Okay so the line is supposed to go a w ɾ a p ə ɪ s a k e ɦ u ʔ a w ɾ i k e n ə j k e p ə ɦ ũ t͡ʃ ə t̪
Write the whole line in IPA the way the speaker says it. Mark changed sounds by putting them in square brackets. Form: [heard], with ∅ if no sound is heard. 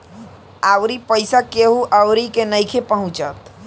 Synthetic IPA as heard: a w ɾ [i] p ə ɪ s a k e ɦ u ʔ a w ɾ i k e n ə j [kʰ] e p ə ɦ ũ t͡ʃ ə t̪

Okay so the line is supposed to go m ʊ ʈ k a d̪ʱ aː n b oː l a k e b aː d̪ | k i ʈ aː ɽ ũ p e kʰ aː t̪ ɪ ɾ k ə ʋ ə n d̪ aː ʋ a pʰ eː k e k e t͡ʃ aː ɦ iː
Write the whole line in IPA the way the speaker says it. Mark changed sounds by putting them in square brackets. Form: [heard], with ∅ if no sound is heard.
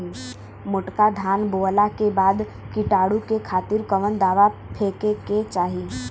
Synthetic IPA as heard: m ʊ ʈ k a d̪ʱ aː n b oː l a k e b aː d̪ | k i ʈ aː ɽ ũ [k] e kʰ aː t̪ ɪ ɾ k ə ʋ ə n d̪ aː ʋ a pʰ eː k e k e t͡ʃ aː ɦ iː

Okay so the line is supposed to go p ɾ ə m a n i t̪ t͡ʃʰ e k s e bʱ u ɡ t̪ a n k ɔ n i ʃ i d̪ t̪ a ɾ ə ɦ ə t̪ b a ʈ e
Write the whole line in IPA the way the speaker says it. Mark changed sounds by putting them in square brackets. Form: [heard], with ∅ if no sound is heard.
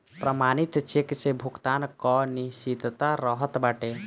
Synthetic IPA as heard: p ɾ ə m a n i t̪ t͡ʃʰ e k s e bʱ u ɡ t̪ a n k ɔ n i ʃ i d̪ t̪ a ɾ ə ɦ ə t̪ b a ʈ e

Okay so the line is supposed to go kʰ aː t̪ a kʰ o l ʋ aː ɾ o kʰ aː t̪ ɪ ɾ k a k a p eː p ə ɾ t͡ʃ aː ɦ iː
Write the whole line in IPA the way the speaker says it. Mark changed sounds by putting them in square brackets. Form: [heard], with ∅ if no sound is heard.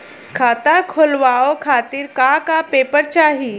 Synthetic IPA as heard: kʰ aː t̪ a kʰ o l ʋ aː [∅] o kʰ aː t̪ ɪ ɾ k a k a p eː p ə ɾ t͡ʃ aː ɦ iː

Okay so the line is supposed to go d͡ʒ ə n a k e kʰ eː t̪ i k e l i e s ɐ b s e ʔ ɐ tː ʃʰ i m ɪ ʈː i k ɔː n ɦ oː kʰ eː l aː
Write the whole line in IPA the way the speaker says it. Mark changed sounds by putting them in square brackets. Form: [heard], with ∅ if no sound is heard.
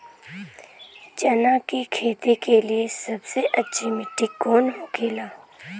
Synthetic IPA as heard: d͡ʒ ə n a k [i] kʰ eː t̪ i k e l i e s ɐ b s e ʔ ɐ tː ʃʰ i m ɪ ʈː i k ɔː n ɦ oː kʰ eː l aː

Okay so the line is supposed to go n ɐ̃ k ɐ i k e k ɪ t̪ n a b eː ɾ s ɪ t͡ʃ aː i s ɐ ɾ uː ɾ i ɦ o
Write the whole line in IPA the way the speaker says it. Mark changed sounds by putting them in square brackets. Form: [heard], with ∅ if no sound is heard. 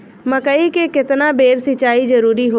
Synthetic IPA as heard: [m] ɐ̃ k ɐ i k e k ɪ t̪ n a b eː ɾ s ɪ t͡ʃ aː i [z] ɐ ɾ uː ɾ i ɦ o

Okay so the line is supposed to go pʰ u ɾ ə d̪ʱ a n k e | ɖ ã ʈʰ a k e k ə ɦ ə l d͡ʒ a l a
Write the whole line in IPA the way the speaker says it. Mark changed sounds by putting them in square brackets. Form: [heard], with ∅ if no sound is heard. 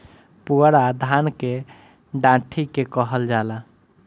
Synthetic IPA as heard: [p] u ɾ [a] d̪ʱ a n k e | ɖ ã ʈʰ [i] k e k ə ɦ ə l d͡ʒ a l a

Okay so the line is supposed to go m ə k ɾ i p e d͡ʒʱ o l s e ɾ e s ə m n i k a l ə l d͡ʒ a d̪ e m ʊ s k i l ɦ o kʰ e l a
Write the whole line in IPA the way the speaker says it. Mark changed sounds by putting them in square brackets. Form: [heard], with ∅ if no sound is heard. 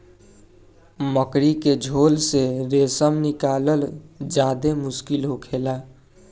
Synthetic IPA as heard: m ə k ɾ i [k] e d͡ʒʱ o l s e ɾ e s ə m n i k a l ə l d͡ʒ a d̪ e m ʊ s k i l ɦ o kʰ e l a

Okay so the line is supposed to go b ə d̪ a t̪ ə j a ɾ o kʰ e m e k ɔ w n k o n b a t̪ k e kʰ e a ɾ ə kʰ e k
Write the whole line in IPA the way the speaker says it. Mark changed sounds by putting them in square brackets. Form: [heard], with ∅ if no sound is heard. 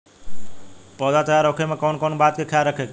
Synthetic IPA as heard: [p] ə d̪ a t̪ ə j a ɾ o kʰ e m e k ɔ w n k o n b a t̪ k e kʰ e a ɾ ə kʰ e k

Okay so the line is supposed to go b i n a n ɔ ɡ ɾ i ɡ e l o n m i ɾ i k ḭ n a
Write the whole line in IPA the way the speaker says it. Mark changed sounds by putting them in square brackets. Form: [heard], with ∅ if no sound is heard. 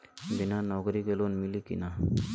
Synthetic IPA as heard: b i n a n ɔ ɡ ɾ i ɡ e l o n m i [l] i k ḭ n a

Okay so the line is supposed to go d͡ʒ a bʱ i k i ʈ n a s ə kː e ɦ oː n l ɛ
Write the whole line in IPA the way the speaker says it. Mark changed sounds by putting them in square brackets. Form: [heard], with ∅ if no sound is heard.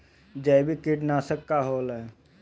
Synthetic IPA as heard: d͡ʒ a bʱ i k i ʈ n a s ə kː [a] ɦ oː [∅] l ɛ

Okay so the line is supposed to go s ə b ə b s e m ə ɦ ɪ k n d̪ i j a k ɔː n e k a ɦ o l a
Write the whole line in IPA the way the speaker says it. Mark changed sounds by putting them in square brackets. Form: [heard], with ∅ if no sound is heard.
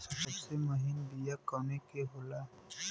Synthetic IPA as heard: s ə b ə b s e m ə ɦ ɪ [∅] n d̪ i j a k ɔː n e k [e] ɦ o l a

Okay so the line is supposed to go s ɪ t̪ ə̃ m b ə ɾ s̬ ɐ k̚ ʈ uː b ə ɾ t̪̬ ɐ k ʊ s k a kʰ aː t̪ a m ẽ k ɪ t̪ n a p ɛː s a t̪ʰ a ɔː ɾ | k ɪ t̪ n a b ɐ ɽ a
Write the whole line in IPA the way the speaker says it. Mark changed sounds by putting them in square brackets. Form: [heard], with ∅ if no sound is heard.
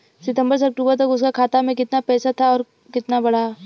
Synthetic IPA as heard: s ɪ t̪ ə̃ m b ə ɾ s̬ ɐ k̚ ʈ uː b ə ɾ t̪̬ ɐ k ʊ s k a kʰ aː t̪ a m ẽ k ɪ t̪ n a p ɛː s a t̪ʰ a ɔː ɾ | k ɪ t̪ n a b ɐ ɽ a

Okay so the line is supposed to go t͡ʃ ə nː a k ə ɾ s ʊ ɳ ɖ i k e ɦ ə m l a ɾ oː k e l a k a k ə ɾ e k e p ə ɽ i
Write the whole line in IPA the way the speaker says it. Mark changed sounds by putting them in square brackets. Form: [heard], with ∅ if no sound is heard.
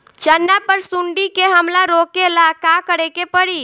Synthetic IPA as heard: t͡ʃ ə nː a [p] ə ɾ s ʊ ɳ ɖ i k e ɦ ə m l a ɾ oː k e l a k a k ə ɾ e k e p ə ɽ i

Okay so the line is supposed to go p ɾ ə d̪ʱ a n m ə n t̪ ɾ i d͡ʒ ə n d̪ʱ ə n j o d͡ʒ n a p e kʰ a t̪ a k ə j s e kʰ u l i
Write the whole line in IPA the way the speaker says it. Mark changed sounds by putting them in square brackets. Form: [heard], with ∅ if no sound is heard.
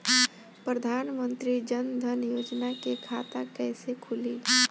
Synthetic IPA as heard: p ɾ ə d̪ʱ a n m ə n t̪ ɾ i d͡ʒ ə n d̪ʱ ə n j o d͡ʒ n a [k] e kʰ a t̪ a k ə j s e kʰ u l i

